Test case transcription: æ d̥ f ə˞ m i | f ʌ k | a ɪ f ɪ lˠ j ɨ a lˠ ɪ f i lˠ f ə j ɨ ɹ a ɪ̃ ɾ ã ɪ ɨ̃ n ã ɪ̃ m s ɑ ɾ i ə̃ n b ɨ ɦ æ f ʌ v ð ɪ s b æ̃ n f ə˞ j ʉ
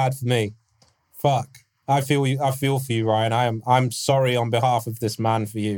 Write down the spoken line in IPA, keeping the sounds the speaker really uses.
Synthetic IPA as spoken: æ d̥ f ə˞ m i | f ʌ k | a ɪ f i lˠ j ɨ a ɪ f i lˠ f ə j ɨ ɹ a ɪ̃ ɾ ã ɪ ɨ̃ m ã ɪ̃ m s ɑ ɹ i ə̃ n b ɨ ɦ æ f ʌ v ð ɪ s m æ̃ n f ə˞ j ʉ